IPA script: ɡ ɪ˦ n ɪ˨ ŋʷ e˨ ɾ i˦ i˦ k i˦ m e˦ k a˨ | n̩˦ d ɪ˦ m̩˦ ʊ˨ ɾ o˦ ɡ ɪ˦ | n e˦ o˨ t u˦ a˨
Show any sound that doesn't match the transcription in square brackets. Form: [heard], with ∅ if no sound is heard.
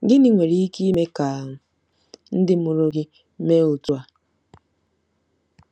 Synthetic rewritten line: ɡ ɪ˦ n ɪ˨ ŋʷ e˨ ɾ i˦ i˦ k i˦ m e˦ k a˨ | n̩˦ d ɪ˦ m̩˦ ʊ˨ ɾ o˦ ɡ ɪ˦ | [m] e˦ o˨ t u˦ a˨